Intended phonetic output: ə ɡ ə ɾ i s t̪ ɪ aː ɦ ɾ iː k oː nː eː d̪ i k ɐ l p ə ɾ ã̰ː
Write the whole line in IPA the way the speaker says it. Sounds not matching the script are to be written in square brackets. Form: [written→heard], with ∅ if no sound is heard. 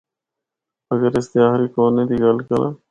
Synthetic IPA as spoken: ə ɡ ə ɾ [i→ɪ] s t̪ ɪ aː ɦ ɾ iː k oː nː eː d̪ i [k→ɡ] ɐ l [p→k] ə ɾ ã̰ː